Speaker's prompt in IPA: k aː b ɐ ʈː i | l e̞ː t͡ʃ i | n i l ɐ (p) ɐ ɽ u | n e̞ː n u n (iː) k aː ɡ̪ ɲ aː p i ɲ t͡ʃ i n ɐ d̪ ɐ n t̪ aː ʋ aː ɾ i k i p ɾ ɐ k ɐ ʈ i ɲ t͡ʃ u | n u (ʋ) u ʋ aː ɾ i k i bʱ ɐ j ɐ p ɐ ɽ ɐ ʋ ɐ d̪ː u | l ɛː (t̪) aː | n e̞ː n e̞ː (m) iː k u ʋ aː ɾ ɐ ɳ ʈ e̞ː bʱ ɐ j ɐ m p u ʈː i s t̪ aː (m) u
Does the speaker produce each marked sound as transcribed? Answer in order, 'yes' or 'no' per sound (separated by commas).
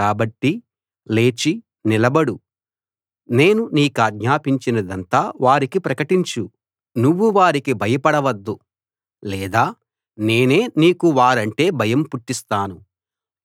no, yes, no, no, no, no